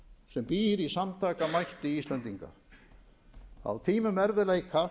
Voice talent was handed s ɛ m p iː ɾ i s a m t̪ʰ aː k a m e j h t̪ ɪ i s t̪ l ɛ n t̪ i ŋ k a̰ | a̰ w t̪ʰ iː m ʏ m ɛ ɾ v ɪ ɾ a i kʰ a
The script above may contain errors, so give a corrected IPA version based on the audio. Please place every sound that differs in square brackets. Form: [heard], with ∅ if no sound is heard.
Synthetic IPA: s ɛ m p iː ɾ i s a m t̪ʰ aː k a m [a] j h t̪ ɪ i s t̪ l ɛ n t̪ i ŋ k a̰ | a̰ w t̪ʰ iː m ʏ m ɛ ɾ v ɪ [l] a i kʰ a